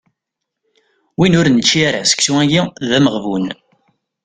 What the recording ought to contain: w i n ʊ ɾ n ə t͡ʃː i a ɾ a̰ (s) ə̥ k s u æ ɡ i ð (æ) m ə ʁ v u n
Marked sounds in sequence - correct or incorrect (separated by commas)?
correct, correct